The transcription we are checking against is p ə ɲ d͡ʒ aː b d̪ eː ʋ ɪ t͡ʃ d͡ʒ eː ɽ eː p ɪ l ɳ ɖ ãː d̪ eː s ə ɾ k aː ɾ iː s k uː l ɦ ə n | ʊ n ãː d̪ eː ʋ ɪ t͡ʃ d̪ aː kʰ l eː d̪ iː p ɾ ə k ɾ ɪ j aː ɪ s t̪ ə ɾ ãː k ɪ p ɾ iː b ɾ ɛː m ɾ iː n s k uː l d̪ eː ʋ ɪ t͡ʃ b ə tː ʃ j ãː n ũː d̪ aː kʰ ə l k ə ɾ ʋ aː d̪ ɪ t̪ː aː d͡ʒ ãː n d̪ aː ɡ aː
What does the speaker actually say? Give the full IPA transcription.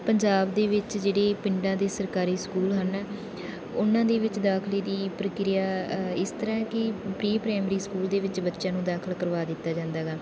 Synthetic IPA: p ə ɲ d͡ʒ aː b d̪ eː ʋ ɪ t͡ʃ d͡ʒ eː ɽ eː p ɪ ɳ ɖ ãː d̪ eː s ə ɾ k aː ɾ iː s k uː l ɦ ə n | ʊ n ãː d̪ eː ʋ ɪ t͡ʃ d̪ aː kʰ l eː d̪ iː p ɾ ə k ɾ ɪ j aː ɪ s t̪ ə ɾ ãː k ɪ p ɾ iː p ɾ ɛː m ɾ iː s k uː l d̪ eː ʋ ɪ t͡ʃ b ə tː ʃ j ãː n ũː d̪ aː kʰ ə l k ə ɾ ʋ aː d̪ ɪ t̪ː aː d͡ʒ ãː n d̪ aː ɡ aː